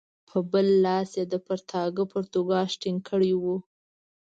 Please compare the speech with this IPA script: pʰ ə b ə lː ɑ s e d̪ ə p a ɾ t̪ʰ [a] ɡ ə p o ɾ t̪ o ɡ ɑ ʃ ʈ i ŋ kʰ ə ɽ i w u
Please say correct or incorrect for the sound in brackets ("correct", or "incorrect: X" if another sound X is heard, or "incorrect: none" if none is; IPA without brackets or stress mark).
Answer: incorrect: ɑ